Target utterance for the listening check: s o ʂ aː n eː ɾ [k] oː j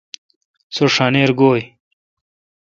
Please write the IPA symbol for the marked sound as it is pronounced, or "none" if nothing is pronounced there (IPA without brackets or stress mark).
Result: ɡ